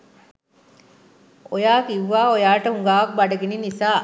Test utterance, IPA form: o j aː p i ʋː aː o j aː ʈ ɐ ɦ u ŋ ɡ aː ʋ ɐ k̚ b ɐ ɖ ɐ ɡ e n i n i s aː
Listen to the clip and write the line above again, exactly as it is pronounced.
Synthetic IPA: o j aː k i ʋː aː o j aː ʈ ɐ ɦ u ŋ ɡ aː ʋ ɐ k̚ b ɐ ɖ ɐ ɡ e n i n i s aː

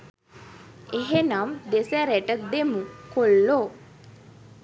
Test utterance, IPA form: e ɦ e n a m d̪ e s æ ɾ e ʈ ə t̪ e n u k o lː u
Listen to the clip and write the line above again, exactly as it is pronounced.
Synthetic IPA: e ɦ e n a m d̪ e s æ ɾ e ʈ ə d̪ e m u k o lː o

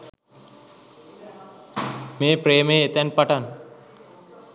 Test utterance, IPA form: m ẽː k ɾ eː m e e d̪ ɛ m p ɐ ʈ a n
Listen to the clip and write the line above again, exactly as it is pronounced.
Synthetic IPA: m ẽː p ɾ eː m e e t̪ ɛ n p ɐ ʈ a n

